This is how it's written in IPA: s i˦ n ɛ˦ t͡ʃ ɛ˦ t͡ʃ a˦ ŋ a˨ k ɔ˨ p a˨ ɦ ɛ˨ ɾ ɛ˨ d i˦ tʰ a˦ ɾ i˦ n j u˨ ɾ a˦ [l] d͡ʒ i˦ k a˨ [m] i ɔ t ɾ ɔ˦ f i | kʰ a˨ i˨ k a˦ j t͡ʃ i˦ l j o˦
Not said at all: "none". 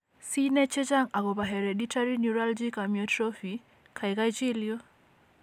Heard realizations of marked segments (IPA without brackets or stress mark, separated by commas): l, m